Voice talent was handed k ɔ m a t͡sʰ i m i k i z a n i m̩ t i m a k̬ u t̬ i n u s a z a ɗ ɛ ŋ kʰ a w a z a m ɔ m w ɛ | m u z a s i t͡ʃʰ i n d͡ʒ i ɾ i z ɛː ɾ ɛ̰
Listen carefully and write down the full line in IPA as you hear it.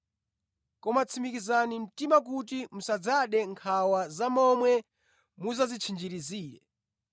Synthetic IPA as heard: k ɔ m a t͡sʰ i m i k i z a n i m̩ t i m a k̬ u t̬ i m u s a d͡z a ɗ ɛ ŋ kʰ a w a z a m ɔ m w ɛ | m u z a z i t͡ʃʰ i n d͡ʒ i ɾ i z iː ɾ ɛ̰